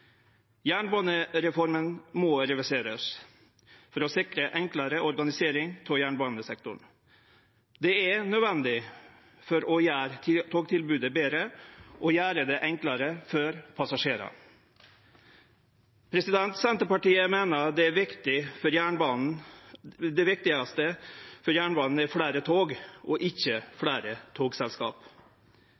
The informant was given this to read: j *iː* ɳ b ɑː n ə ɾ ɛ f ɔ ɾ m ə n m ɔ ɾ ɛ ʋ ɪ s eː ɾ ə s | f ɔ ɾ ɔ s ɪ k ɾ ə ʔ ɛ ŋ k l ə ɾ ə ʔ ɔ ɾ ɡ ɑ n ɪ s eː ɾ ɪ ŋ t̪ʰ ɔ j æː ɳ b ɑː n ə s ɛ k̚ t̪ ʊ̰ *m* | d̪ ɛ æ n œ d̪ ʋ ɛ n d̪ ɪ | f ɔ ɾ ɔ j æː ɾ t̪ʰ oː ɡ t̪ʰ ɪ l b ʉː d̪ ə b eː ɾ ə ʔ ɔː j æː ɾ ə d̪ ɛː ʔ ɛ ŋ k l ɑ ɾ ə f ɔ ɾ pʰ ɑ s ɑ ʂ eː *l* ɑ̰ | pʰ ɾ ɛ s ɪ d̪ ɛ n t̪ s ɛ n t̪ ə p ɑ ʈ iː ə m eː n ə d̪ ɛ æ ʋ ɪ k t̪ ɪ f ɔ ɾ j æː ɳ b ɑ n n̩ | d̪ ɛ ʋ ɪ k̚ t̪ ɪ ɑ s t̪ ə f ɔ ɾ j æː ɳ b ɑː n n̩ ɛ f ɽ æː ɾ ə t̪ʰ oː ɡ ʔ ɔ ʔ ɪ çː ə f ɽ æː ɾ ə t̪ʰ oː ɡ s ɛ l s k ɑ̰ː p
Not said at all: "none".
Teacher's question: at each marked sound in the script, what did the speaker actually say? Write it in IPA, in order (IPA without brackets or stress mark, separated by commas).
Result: æː, ɳ, ɾ